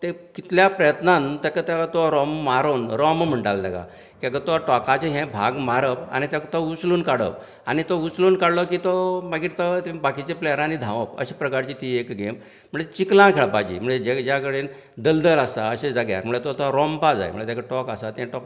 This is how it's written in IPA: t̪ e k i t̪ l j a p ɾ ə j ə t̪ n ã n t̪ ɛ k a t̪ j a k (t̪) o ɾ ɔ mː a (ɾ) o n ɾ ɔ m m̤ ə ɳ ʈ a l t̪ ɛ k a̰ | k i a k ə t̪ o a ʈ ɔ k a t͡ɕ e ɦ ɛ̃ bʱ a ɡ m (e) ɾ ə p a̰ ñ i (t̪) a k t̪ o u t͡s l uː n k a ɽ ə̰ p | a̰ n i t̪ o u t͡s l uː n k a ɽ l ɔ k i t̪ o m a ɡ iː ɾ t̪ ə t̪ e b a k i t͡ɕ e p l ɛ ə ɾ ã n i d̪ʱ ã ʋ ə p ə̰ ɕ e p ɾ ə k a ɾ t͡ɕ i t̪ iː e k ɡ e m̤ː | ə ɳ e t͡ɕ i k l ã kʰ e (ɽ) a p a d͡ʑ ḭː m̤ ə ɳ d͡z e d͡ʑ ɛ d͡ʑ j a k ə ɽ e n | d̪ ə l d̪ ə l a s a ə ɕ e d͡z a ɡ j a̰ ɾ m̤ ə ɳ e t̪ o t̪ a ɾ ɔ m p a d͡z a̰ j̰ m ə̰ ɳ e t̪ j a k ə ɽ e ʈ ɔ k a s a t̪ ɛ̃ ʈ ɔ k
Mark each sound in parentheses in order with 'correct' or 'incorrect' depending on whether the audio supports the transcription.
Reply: correct, correct, incorrect, correct, incorrect

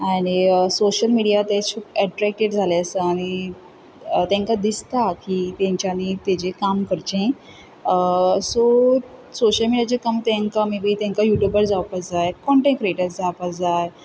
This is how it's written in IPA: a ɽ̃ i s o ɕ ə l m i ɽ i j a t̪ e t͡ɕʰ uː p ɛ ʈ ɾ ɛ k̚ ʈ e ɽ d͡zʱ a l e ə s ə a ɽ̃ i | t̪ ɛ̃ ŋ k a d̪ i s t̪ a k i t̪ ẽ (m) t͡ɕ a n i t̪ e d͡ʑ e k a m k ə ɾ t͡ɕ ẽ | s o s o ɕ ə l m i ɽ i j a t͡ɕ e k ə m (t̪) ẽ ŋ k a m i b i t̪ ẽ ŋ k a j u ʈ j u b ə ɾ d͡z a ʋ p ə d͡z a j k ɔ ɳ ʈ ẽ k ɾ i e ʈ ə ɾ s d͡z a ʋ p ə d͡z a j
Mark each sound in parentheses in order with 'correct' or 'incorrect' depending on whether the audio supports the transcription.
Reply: incorrect, correct

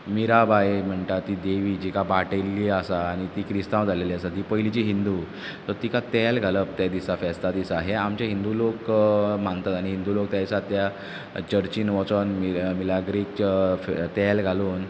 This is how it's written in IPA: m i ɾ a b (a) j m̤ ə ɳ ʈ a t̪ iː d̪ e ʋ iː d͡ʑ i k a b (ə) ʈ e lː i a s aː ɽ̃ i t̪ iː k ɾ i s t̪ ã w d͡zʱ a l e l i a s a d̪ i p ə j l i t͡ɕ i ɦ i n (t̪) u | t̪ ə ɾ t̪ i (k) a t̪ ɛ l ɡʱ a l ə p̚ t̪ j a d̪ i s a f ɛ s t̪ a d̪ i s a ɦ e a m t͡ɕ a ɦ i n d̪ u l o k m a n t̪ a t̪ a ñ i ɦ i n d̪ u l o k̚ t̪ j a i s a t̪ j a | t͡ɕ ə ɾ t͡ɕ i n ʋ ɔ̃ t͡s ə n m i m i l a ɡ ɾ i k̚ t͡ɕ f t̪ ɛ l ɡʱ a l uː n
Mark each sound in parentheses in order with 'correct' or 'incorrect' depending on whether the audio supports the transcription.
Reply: correct, incorrect, incorrect, correct

